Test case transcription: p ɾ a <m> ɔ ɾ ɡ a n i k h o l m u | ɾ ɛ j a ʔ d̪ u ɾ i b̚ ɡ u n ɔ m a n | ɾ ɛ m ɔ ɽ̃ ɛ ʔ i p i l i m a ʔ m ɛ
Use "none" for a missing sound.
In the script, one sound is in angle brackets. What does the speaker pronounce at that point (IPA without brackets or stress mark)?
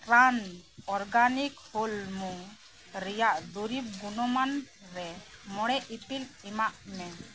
n